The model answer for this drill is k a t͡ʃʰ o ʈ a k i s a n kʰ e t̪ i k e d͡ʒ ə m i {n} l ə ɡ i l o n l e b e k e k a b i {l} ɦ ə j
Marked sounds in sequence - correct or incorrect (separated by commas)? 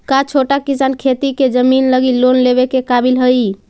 correct, correct